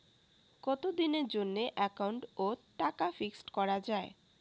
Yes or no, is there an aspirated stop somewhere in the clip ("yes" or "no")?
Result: no